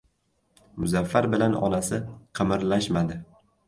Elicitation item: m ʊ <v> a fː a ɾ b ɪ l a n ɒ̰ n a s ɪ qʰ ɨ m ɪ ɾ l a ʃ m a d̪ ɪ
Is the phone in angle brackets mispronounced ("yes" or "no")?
yes